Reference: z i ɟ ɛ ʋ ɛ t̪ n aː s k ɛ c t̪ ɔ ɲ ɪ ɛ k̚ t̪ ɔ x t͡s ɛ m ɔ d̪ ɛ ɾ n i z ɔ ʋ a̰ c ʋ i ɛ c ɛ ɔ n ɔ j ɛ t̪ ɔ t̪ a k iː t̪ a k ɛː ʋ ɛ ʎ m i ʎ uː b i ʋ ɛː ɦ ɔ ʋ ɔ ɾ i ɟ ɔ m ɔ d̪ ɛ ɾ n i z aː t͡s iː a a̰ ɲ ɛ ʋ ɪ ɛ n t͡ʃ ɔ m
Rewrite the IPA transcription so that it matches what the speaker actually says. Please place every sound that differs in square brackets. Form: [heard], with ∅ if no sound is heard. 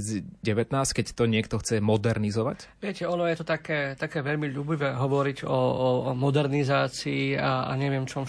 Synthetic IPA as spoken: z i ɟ ɛ ʋ ɛ t̪ n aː s k ɛ c t̪ ɔ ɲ ɪ ɛ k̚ t̪ ɔ x t͡s ɛ m ɔ d̪ ɛ ɾ n i z ɔ ʋ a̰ c ʋ [ɪ] ɛ c ɛ ɔ n ɔ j ɛ t̪ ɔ t̪ a k [ɛː] t̪ a k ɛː ʋ ɛ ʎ m i ʎ uː b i ʋ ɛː ɦ ɔ ʋ ɔ ɾ i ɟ ɔ m ɔ d̪ ɛ ɾ n i z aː t͡s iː a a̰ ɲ ɛ ʋ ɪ ɛ [m] t͡ʃ ɔ m